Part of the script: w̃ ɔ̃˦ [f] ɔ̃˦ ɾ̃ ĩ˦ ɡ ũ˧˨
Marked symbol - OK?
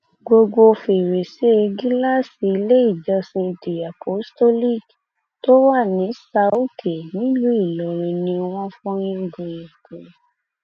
yes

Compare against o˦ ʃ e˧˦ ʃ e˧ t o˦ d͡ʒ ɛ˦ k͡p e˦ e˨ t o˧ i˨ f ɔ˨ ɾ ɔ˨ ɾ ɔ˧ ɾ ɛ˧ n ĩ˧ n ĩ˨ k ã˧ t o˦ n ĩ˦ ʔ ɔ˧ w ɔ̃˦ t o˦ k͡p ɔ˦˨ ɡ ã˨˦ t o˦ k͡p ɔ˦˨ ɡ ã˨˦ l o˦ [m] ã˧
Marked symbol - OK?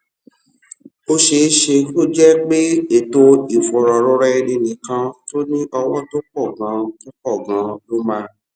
yes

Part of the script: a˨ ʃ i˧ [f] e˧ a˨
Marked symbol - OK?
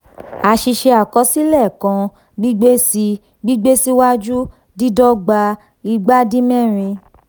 no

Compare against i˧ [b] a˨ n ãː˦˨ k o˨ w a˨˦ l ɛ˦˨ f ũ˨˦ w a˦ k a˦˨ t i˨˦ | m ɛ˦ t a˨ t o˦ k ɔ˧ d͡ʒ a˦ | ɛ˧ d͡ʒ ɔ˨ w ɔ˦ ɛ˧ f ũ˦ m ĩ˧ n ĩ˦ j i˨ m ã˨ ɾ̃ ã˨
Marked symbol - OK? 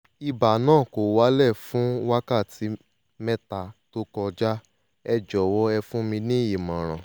yes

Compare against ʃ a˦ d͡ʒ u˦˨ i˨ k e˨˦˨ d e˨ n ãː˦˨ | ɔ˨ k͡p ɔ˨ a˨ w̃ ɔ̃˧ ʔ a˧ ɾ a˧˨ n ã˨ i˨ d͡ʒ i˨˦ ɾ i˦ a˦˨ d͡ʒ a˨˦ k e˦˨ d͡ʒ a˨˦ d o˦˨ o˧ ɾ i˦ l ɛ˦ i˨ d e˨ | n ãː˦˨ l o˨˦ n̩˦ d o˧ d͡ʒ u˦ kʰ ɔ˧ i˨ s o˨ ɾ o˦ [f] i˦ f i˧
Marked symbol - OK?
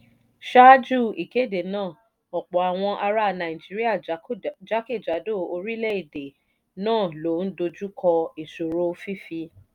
yes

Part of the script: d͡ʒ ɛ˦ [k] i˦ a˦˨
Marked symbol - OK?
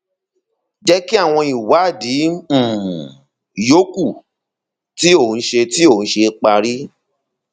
yes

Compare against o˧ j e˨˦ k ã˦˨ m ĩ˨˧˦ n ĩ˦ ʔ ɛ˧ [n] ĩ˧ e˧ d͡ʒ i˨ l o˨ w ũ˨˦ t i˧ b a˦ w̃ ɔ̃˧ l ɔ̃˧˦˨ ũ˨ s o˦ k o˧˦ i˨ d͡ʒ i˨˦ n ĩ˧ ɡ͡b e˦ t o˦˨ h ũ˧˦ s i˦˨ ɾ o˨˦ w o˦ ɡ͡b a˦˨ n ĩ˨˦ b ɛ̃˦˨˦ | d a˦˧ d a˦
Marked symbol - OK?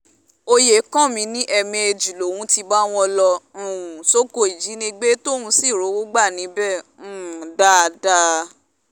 no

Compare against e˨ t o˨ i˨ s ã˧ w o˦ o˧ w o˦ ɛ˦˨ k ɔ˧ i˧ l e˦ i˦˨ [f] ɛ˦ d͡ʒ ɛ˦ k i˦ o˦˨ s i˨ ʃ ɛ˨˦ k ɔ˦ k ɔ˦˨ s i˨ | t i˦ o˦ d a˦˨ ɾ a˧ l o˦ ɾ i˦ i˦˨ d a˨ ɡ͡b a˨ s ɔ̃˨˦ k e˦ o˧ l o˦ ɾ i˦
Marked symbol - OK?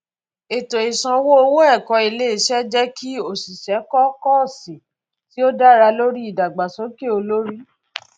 no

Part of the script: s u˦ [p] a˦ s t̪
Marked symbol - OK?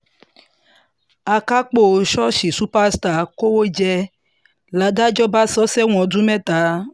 yes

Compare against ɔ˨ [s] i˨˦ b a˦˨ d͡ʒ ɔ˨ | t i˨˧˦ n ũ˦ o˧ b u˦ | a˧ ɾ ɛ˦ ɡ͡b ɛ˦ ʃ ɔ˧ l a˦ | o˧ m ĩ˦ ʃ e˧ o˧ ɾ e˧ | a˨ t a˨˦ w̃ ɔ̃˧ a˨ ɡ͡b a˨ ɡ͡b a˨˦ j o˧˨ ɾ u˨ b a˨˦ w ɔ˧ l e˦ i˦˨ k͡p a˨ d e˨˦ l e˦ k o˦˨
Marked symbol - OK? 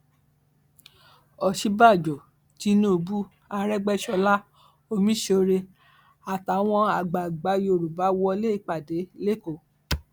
no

